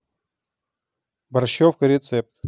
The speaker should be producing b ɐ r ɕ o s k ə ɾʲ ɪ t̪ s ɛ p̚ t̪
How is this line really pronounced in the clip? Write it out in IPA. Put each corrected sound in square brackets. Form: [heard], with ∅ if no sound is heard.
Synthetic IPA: b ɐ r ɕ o [f] k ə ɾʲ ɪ t̪ s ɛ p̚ t̪

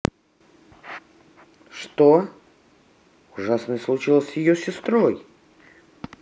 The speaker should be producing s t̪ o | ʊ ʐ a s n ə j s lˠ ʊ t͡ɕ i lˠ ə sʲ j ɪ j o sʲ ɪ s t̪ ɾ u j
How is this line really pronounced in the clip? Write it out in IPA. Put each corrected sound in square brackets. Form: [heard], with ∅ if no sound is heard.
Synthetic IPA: [ʂ] t̪ o | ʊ ʐ a s n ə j s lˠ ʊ t͡ɕ i lˠ ə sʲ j ɪ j o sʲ ɪ s t̪ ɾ [o] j

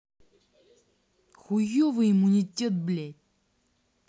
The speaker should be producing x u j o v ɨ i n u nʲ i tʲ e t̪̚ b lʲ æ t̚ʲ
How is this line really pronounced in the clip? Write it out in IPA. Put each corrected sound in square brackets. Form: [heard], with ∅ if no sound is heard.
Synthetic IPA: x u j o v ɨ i [m] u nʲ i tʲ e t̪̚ b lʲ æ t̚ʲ

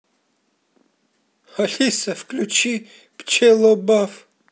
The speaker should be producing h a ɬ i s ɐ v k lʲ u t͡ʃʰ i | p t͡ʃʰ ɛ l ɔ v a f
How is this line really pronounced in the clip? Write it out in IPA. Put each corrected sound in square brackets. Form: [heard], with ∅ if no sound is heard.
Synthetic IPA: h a ɬ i s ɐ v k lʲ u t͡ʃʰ i | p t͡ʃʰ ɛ l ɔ [b] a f

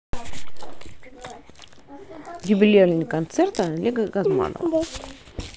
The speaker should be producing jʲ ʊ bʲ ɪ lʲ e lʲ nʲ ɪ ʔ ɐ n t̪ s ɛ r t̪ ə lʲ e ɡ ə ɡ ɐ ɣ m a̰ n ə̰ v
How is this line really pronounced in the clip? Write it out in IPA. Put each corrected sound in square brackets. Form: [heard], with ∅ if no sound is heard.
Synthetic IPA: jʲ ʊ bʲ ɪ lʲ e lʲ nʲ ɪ [k] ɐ n t̪ s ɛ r t̪ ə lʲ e ɡ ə ɡ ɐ [z] m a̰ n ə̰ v

